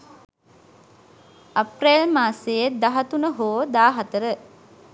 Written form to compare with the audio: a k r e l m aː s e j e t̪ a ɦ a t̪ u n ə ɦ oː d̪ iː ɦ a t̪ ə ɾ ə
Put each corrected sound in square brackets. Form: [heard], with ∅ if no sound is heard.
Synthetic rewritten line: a [p] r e l m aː s e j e [d̪] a ɦ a t̪ u n ə ɦ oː d̪ [aː] ɦ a t̪ ə ɾ ə

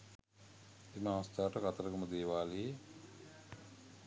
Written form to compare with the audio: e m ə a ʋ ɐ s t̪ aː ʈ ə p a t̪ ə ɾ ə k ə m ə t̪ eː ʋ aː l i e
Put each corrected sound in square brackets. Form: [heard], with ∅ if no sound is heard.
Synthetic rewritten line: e m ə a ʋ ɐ s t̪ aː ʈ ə [k] a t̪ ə ɾ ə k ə m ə [d̪] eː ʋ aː l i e

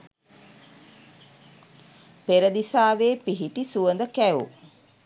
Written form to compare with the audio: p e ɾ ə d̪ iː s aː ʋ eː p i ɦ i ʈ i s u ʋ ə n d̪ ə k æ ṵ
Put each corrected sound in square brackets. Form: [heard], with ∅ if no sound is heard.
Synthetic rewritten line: p e ɾ ə d̪ [i] s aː ʋ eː p i ɦ i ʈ i s u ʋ ə n d̪ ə k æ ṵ

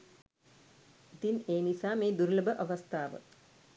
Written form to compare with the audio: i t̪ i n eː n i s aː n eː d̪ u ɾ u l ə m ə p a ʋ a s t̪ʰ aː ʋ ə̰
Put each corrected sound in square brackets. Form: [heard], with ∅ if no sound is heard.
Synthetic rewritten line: i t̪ i n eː n i s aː [m] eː d̪ u ɾ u l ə [b] ə [ʔ] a ʋ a s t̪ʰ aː ʋ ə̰

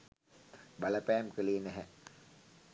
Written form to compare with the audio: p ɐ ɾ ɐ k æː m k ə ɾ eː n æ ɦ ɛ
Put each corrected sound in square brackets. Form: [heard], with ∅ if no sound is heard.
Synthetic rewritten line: [b] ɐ [l] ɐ [p] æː m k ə [l] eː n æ ɦ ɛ

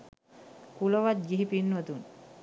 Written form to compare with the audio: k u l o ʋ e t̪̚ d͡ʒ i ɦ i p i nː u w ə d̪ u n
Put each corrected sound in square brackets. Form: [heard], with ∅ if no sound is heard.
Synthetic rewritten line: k u l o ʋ [a] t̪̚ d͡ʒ i ɦ i p i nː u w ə [t̪] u n

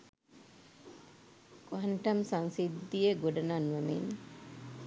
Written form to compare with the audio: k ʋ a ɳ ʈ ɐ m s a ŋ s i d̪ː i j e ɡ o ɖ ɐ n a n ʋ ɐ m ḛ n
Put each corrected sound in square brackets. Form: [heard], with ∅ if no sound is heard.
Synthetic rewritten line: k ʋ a ɳ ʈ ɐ m s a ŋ s i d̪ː i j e ɡ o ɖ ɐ n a n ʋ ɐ m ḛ n

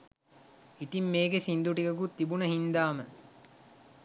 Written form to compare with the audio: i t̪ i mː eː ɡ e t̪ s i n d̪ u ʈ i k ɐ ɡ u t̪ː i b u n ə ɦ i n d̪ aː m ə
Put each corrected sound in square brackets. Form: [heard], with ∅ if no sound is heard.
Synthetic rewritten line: i t̪ i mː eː ɡ e [∅] s i n d̪ u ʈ i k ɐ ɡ u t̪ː i b u n ə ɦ i n d̪ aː m ə

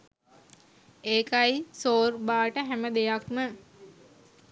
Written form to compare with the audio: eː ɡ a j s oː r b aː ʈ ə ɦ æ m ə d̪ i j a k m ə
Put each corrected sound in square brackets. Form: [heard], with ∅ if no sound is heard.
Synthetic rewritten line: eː [k] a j s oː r b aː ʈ ə ɦ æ m ə d̪ [e] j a k m ə

